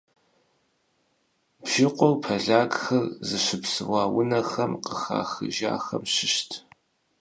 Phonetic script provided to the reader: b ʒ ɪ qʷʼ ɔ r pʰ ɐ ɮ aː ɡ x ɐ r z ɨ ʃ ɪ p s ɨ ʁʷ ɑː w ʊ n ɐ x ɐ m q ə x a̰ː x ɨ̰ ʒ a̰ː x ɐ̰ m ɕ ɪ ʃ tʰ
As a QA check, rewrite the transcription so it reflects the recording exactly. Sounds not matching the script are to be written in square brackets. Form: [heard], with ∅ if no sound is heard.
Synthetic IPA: b ʒ ɪ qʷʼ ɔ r pʰ ɐ ɮ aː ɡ x ɐ r z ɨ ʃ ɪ p s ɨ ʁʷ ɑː w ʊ n ɐ x ɐ m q ə x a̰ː x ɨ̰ ʒ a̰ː x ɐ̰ m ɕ ɪ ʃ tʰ